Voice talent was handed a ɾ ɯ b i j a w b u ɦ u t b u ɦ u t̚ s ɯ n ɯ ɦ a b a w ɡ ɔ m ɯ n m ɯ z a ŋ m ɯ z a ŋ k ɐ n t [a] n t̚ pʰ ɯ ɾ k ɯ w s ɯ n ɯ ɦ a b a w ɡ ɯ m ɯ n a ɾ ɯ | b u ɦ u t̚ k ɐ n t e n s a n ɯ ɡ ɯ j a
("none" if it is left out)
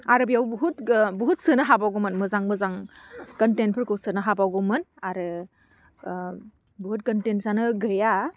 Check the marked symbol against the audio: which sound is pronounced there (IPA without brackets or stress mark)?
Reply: e